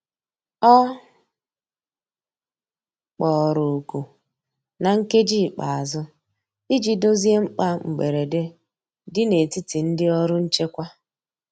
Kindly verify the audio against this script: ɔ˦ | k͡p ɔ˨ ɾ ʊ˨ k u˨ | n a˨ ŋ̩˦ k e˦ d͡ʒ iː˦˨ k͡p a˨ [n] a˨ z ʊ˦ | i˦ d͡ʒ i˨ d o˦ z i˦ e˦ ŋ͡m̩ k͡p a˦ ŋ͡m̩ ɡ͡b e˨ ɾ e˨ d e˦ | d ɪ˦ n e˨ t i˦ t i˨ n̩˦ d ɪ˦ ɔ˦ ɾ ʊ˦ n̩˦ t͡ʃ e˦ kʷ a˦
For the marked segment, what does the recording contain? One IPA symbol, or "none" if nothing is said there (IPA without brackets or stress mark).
none